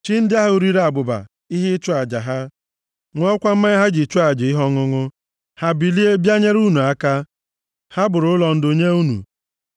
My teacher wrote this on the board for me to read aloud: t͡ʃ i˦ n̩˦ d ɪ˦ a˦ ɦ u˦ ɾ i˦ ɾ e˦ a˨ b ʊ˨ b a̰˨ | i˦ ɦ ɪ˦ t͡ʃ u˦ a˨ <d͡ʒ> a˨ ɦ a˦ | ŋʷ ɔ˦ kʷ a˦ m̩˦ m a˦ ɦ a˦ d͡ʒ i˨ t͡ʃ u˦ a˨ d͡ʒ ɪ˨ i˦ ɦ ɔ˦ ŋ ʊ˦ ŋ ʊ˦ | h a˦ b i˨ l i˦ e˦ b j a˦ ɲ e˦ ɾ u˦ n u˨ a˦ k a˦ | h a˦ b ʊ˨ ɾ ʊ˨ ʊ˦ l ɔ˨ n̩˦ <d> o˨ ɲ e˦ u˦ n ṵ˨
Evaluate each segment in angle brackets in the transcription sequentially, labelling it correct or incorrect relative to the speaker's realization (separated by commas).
correct, correct